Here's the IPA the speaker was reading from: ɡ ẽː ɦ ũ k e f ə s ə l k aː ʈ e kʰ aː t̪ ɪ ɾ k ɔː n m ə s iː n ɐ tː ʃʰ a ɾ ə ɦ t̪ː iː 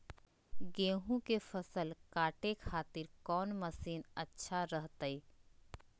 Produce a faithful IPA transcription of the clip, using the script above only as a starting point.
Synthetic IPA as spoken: ɡ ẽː ɦ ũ k e f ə s ə l k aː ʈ e kʰ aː t̪ ɪ ɾ k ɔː n m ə s iː n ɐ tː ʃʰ a ɾ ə ɦ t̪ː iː